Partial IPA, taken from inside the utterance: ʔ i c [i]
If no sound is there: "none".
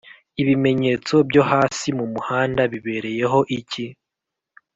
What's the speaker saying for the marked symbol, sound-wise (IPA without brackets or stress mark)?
i